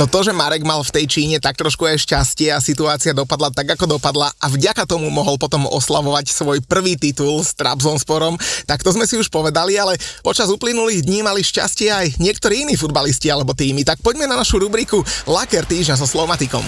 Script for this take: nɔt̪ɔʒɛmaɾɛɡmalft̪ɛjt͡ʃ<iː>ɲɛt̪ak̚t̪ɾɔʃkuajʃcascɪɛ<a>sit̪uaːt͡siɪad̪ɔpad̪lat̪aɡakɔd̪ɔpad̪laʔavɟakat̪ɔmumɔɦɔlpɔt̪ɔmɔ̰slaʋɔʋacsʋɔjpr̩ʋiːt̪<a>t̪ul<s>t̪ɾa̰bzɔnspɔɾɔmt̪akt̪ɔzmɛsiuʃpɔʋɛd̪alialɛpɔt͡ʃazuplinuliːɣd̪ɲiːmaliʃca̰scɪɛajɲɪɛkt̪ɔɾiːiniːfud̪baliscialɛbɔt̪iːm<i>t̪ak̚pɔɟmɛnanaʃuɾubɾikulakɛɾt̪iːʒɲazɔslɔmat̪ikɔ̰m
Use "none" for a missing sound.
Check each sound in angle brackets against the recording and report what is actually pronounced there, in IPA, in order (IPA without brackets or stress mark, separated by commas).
iː, a, i, s, i